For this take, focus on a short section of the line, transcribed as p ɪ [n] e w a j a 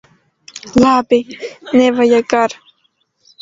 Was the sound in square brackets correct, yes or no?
yes